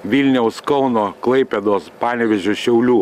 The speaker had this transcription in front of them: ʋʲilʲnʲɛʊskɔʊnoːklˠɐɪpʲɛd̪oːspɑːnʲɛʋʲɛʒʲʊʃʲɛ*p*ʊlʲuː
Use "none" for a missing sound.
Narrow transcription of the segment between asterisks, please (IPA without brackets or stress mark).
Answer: none